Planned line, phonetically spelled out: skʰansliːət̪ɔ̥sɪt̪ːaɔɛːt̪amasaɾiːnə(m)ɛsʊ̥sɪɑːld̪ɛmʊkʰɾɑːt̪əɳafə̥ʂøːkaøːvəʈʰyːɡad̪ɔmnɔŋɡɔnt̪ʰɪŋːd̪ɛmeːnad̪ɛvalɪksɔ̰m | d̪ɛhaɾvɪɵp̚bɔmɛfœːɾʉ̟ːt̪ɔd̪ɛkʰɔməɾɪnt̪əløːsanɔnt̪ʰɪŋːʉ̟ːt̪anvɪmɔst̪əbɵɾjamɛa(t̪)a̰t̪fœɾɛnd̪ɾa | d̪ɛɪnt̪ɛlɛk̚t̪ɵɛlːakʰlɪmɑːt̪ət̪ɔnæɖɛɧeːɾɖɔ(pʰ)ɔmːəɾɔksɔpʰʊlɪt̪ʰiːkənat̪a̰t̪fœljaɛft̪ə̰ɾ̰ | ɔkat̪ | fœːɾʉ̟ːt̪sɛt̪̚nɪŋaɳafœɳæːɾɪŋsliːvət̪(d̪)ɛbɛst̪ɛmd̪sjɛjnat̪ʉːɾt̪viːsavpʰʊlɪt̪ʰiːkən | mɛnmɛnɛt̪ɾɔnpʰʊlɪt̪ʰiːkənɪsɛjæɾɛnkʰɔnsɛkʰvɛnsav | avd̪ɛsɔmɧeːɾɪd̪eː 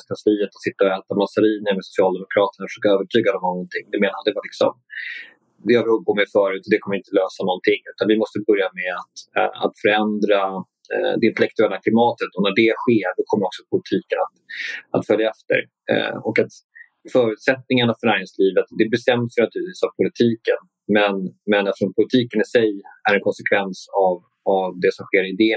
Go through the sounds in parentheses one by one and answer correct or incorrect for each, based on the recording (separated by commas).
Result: correct, correct, incorrect, correct